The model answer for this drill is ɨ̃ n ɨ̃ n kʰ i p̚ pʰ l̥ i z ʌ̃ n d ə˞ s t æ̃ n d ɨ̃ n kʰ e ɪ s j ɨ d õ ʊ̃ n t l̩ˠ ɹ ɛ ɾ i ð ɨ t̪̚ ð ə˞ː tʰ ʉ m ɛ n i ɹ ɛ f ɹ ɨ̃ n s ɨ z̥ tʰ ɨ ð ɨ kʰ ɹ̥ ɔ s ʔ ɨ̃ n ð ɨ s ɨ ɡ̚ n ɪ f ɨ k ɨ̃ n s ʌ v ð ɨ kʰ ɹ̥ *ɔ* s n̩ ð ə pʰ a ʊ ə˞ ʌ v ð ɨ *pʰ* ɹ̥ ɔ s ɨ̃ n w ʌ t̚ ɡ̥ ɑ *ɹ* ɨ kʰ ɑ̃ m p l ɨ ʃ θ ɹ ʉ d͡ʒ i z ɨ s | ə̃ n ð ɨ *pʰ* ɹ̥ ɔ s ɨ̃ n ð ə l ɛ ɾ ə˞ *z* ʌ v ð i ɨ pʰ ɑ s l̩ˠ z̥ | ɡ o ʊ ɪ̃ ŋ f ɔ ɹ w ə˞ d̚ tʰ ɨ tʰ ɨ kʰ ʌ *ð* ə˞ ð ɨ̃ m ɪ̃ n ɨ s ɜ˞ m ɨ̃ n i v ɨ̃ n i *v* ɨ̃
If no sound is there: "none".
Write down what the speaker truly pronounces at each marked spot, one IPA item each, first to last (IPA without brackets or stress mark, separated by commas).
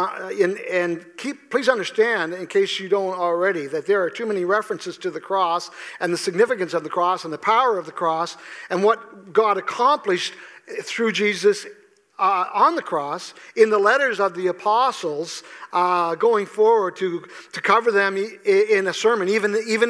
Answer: ɔ, kʰ, ɾ, kʰ, z, v, v